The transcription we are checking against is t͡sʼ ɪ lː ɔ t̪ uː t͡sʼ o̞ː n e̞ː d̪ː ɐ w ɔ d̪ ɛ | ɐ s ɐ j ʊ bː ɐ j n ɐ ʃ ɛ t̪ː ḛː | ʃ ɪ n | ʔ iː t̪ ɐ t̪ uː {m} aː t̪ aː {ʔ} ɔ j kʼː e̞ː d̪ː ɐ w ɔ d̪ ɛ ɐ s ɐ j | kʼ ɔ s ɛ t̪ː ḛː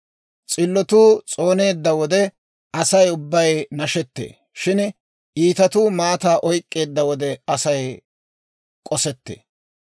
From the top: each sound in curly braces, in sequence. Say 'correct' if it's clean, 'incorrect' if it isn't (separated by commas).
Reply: correct, correct